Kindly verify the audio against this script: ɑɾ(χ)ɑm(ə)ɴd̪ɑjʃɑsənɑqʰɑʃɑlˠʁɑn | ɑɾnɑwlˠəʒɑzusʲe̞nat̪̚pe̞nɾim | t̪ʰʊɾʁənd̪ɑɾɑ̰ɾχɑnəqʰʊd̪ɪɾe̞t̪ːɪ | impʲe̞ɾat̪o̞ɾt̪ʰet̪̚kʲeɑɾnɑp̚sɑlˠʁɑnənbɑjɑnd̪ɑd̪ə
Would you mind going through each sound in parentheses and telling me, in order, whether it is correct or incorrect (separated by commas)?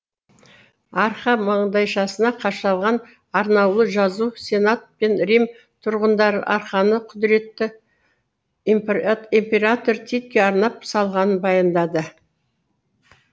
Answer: correct, incorrect